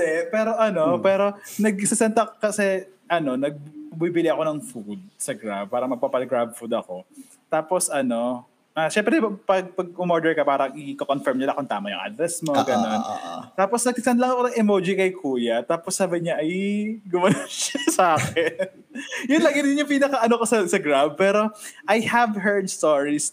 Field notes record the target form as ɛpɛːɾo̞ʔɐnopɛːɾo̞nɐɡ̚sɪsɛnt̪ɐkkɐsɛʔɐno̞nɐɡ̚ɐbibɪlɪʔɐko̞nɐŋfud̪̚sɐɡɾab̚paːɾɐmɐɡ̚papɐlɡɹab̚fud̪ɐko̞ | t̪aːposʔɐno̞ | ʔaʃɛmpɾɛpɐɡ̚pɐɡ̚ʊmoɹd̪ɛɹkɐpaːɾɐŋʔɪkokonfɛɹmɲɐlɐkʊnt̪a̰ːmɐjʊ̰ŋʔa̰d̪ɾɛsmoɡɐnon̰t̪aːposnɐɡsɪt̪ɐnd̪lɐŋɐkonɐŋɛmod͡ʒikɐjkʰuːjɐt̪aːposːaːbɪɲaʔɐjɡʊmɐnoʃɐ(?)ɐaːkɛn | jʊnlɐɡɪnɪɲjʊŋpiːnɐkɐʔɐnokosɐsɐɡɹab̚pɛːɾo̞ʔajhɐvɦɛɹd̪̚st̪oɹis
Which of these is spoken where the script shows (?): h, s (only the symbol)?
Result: s